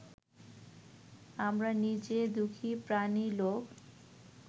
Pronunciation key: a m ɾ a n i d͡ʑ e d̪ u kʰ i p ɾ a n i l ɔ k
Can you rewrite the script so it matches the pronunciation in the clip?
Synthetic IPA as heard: a m ɾ a n i d͡ʑ e d̪ u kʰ i p ɾ a n i l o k